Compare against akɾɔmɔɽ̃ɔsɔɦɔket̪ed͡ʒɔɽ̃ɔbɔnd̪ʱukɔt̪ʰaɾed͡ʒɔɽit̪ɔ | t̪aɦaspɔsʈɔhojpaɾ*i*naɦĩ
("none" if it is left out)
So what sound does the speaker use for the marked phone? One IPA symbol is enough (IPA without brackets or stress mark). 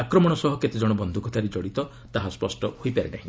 e